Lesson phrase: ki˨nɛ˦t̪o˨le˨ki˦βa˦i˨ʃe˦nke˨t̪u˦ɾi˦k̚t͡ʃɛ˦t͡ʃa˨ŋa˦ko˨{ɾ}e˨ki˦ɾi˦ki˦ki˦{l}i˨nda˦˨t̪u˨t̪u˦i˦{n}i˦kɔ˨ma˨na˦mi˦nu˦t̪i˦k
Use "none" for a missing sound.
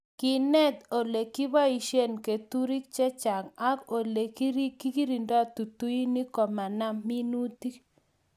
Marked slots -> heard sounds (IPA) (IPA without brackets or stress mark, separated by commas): l, ɾ, n